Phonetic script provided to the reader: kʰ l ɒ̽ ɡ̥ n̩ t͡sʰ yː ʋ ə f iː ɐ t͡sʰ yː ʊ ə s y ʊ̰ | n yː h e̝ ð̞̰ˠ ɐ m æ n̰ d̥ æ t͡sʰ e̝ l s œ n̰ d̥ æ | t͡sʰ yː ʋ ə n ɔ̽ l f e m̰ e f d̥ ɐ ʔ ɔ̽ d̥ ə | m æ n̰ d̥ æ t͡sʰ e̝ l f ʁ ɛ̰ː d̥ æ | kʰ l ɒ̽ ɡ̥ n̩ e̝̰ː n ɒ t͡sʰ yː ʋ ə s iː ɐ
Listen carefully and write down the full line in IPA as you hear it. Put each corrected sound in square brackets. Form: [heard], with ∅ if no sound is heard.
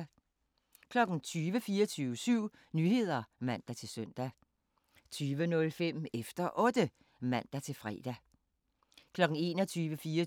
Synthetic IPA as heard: kʰ l ɒ̽ ɡ̥ n̩ t͡sʰ yː ʋ ə f iː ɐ t͡sʰ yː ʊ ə s y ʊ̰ | n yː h e̝ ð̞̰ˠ ɐ m æ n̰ d̥ æ t͡sʰ e̝ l s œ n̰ d̥ æ | t͡sʰ yː ʋ ə n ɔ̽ l f e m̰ e f d̥ ɐ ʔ ɔ̽ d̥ ə | m æ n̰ d̥ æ t͡sʰ e̝ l f ʁ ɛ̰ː d̥ æ | kʰ l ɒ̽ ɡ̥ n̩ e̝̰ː n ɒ t͡sʰ yː ʋ ə [f] iː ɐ